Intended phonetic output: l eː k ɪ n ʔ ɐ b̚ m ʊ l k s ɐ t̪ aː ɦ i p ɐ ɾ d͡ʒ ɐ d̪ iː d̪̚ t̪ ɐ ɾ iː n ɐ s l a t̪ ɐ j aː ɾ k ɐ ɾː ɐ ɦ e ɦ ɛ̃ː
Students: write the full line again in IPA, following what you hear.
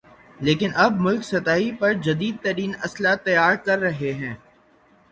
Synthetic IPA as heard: l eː k ɪ n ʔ ɐ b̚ m ʊ l k s ɐ t̪ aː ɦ i p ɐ ɾ d͡ʒ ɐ d̪ iː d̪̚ t̪ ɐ ɾ iː n ɐ s l a t̪ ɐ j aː ɾ k ɐ ɾː ɐ ɦ e ɦ ɛ̃ː

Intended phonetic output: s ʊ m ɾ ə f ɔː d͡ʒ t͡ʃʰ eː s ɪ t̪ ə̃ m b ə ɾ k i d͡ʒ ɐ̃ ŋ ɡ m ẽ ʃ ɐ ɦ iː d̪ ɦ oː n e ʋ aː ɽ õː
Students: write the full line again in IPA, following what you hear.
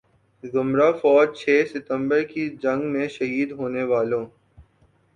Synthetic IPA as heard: z ʊ m ɾ a f ɔː d͡ʒ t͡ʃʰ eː s ɪ t̪ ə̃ m b ə ɾ k i d͡ʒ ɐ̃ ŋ ɡ m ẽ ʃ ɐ ɦ iː d̪ ɦ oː n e ʋ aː l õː

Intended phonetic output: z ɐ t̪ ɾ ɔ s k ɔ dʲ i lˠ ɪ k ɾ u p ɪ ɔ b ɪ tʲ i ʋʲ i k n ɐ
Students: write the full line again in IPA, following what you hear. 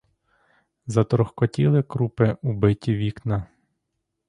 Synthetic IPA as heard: z ɐ t̪ ɾ ɔ x k ɔ tʲ i lˠ ɪ k ɾ u p ɪ u b ɪ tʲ i ʋʲ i k n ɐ

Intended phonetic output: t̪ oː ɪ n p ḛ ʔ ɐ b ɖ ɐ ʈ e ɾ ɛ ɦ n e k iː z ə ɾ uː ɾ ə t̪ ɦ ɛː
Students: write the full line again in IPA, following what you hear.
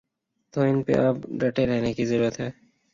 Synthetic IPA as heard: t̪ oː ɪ n p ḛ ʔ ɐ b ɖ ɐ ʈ e ɾ ɛ ɦ n e k i z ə ɾ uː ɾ ə t̪ ɦ ɛː

